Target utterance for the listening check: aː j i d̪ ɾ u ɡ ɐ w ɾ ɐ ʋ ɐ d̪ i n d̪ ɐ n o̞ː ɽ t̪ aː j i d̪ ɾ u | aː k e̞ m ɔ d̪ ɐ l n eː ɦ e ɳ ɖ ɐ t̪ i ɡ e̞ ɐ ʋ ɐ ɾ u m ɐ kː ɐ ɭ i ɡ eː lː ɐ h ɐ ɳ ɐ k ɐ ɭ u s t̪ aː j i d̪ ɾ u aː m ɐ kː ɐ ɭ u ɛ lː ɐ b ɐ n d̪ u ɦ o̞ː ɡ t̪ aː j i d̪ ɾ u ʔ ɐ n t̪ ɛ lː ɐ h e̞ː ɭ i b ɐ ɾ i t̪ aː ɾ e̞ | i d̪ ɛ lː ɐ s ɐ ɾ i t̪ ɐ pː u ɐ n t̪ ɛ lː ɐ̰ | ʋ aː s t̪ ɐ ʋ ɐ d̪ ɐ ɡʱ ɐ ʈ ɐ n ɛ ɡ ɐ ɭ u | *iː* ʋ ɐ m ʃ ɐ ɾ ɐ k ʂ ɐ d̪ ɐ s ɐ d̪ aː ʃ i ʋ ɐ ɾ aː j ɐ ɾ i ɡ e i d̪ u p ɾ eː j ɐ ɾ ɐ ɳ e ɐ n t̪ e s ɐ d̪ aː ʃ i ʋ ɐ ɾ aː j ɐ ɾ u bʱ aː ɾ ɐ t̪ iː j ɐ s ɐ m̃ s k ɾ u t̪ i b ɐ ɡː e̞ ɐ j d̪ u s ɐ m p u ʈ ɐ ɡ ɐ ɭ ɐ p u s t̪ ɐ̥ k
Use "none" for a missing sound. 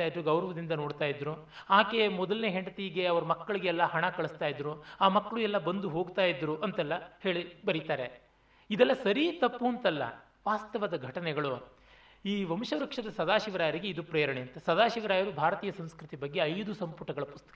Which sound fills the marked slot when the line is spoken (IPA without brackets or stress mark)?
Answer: iː